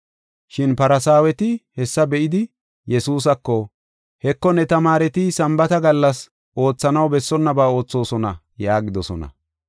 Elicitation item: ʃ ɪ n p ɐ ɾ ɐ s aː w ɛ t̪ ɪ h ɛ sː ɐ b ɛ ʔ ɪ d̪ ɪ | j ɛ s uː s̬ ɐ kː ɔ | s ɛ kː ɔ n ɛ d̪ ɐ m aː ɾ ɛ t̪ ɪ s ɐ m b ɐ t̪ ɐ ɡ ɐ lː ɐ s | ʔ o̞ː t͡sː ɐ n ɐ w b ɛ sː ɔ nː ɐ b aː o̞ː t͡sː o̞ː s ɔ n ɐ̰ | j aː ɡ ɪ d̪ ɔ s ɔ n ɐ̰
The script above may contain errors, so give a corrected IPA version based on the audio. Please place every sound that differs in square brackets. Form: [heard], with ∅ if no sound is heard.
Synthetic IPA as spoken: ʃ ɪ n p ɐ ɾ ɐ s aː w ɛ t̪ ɪ h ɛ sː ɐ b ɛ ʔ ɪ d̪ ɪ | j ɛ s uː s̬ ɐ kː ɔ | [h] ɛ kː ɔ n ɛ [t̪] ɐ m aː ɾ ɛ t̪ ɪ s ɐ m b ɐ t̪ ɐ ɡ ɐ lː ɐ s | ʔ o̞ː t͡sː ɐ n ɐ w b ɛ sː ɔ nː ɐ b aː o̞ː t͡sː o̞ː s ɔ n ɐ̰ | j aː ɡ ɪ d̪ ɔ s ɔ n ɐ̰

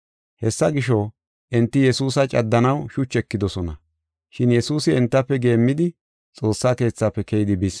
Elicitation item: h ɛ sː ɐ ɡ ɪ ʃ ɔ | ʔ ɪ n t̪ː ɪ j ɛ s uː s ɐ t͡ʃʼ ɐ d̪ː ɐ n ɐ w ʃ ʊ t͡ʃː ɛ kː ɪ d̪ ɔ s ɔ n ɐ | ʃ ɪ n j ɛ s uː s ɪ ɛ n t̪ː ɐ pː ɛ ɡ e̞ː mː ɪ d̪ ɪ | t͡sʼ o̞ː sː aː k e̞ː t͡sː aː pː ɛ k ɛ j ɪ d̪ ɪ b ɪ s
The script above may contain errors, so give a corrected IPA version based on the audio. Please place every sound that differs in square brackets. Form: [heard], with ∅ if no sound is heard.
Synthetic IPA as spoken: h ɛ sː ɐ ɡ ɪ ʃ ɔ | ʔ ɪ n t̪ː ɪ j ɛ s uː s ɐ t͡ʃʼ ɐ d̪ː ɐ n ɐ w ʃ ʊ t͡ʃː ɛ kː ɪ d̪ ɔ s ɔ n ɐ | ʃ ɪ n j ɛ s uː s ɪ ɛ n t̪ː ɐ pː ɛ ɡ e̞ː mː ɪ d̪ ɪ | t͡sʼ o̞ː sː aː k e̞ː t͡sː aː pː ɛ k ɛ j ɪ d̪ ɪ b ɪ s

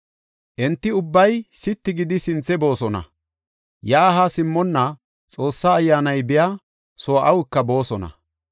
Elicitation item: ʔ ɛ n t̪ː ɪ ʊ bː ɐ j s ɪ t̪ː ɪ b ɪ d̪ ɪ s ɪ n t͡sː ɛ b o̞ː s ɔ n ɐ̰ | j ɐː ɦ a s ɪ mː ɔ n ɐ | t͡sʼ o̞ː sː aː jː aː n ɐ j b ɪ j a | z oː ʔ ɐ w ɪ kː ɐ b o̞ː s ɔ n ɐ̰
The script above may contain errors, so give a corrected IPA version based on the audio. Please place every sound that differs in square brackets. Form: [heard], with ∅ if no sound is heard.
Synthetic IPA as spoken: ʔ ɛ n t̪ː ɪ ʊ bː ɐ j s ɪ t̪ː ɪ [ɡ] ɪ d̪ ɪ s ɪ n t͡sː ɛ b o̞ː s ɔ n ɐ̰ | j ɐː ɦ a s ɪ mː ɔ [nː] ɐ | t͡sʼ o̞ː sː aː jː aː n ɐ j b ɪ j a | [s] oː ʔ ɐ w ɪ kː ɐ b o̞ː s ɔ n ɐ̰

